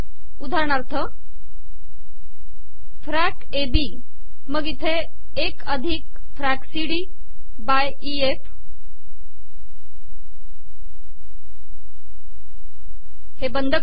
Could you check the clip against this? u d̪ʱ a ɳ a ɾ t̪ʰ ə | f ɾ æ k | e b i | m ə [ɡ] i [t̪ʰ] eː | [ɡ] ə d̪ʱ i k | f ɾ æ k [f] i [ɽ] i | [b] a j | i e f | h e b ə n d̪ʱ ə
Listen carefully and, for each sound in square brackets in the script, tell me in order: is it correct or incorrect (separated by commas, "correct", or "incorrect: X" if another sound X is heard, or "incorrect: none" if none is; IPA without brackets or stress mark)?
correct, correct, incorrect: k, incorrect: s, correct, correct